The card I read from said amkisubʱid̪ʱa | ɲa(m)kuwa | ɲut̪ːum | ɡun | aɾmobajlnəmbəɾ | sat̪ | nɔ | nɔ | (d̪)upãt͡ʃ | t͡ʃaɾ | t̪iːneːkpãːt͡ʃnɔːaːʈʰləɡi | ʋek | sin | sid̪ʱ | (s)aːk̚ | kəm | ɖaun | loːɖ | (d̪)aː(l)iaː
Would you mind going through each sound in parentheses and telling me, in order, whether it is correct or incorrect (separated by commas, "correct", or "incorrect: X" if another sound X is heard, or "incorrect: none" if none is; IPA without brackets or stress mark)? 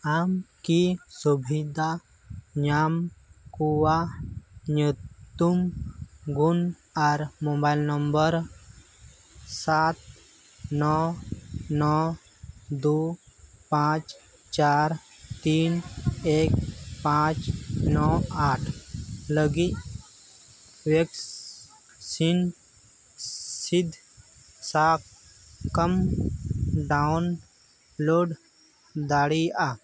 correct, correct, correct, correct, incorrect: ɽ